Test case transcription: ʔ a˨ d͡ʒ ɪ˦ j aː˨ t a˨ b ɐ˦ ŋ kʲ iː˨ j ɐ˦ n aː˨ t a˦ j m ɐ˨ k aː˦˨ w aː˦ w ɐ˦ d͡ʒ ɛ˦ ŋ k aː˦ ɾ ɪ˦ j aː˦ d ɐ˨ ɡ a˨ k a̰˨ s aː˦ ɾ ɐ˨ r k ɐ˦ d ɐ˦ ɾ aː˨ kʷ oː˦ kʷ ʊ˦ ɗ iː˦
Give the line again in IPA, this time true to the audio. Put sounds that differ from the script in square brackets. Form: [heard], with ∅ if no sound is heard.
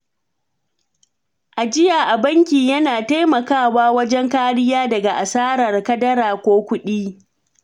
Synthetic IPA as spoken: ʔ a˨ d͡ʒ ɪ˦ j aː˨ [ʔ] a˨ b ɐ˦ ŋ kʲ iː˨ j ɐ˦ n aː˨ t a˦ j m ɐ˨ k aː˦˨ w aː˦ w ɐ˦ d͡ʒ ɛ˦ ŋ k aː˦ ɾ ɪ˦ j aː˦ d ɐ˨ ɡ a˨ [ʔ] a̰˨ s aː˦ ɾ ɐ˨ r k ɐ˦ d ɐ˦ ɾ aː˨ kʷ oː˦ kʷ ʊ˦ ɗ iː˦

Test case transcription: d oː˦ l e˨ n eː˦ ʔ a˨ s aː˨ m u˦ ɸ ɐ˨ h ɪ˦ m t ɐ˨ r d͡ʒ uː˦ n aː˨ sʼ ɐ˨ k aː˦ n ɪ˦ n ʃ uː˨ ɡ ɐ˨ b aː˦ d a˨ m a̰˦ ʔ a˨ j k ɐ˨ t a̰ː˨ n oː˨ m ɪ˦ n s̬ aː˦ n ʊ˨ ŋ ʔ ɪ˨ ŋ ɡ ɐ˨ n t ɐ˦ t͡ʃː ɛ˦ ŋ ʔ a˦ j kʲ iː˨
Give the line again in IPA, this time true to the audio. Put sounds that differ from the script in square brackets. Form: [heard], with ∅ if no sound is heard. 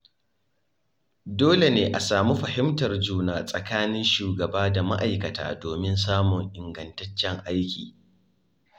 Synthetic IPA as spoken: d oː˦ l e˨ n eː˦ ʔ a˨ s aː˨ m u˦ ɸ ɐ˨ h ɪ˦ m t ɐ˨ r d͡ʒ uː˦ n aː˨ sʼ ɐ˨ k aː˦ n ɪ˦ n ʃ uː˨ ɡ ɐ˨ b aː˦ d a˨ m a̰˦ ʔ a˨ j k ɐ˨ t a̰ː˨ [d] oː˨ m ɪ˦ n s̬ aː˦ [m] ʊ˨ ŋ ʔ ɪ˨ ŋ ɡ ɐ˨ n t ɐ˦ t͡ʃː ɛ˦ ŋ ʔ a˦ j kʲ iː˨

